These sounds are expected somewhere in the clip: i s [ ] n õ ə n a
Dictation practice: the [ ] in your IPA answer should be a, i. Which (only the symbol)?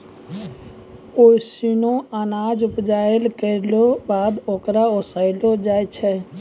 i